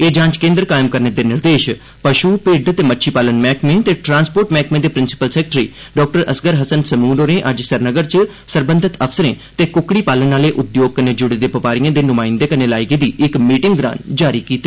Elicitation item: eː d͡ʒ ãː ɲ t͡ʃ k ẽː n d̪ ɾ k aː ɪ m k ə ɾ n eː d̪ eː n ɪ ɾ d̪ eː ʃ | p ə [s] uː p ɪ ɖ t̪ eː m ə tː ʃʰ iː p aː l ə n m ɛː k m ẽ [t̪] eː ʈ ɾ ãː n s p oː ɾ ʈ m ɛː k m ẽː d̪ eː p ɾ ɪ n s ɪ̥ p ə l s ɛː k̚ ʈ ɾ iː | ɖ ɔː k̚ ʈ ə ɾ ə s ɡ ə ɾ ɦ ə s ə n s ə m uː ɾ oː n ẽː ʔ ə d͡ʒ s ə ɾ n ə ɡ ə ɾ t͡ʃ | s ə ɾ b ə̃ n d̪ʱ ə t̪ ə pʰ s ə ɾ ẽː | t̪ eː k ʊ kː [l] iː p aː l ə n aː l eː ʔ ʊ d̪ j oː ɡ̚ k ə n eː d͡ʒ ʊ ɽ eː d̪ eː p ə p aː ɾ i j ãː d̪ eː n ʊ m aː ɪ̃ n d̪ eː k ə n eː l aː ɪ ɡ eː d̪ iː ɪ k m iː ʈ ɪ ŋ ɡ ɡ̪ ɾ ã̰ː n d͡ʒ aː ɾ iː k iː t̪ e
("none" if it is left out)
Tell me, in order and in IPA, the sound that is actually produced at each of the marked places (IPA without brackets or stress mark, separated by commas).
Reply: ʃ, t̪, ɽ